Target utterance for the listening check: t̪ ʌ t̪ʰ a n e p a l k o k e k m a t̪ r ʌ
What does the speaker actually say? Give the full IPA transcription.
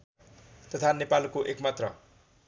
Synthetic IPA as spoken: t̪ ʌ t̪ʰ a n e p a l k o ʔ e k m a t̪ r ʌ